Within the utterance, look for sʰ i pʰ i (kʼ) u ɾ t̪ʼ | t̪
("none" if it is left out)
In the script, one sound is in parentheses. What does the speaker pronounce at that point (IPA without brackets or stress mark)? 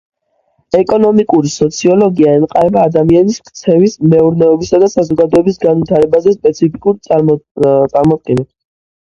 kʼ